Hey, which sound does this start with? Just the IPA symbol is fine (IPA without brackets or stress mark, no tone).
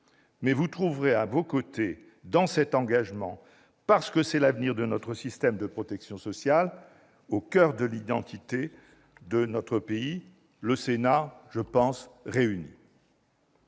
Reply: m